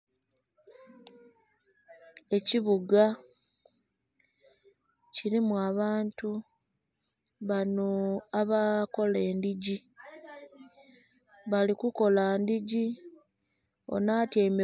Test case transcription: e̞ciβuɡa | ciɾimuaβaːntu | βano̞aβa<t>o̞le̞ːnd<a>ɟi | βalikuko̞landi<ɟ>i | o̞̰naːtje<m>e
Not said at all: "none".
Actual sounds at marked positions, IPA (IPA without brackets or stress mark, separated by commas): k, i, ɟ, m